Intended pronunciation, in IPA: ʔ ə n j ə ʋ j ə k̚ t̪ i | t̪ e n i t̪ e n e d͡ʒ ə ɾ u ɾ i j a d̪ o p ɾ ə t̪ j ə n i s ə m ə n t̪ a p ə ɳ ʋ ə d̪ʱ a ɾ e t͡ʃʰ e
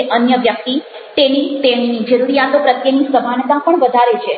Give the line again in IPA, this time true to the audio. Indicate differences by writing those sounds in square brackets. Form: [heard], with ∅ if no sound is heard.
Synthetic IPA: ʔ ə n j ə ʋ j ə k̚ t̪ i | t̪ e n i t̪ e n [i] d͡ʒ ə ɾ u ɾ i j a [t̪] o p ɾ ə t̪ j ə n i s ə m [a] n t̪ a p ə ɳ ʋ ə d̪ʱ a ɾ e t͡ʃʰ e